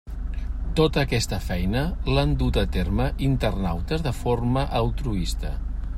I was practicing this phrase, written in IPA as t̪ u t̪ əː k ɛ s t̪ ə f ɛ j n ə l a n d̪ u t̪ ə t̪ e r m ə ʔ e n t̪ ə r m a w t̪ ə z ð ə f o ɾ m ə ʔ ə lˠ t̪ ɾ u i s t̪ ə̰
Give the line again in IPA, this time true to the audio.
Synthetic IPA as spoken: t̪ o t̪ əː k ɛ s t̪ ə f ɛ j n ə l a n d̪ u t̪ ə t̪ e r m ə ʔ i n t̪ ə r n a w t̪ ə z ð ə f o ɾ m ə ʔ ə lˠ t̪ ɾ u i s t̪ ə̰